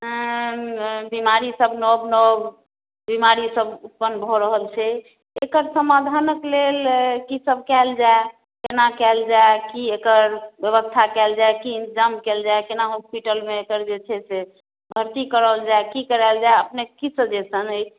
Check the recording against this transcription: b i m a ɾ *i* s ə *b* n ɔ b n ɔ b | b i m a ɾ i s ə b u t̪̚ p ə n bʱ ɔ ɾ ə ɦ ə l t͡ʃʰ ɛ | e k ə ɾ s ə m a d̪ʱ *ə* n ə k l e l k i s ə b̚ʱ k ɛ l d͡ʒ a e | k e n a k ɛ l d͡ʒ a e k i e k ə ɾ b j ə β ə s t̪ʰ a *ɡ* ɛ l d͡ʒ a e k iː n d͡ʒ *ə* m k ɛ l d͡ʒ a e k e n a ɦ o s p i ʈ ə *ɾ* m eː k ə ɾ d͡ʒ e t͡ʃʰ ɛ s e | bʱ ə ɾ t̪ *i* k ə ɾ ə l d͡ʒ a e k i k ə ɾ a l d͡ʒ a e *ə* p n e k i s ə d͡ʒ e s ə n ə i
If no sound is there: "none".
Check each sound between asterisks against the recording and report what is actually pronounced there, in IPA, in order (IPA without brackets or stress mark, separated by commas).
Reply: i, b, a, k, a, l, i, ə